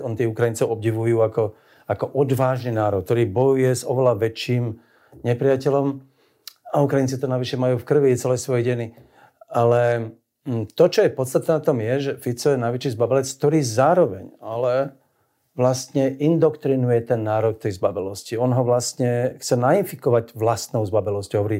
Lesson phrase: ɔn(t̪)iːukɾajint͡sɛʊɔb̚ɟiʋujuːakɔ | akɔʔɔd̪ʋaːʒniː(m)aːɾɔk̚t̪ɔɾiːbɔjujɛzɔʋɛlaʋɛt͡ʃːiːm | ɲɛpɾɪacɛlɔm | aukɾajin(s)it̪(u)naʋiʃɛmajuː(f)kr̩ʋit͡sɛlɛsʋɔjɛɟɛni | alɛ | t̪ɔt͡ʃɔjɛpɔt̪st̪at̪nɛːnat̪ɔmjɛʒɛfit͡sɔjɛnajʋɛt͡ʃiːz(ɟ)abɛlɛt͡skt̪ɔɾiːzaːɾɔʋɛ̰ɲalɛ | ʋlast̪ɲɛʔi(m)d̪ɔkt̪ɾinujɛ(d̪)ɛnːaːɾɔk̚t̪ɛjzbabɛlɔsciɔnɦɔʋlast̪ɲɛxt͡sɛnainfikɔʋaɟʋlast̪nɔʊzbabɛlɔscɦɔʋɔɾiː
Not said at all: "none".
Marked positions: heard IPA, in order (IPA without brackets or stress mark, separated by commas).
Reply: t̪, n, t͡s, ɔ, f, b, n, t̪